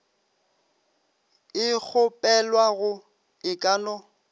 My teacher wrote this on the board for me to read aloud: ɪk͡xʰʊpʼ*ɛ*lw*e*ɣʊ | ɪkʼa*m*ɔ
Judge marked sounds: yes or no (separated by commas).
yes, no, no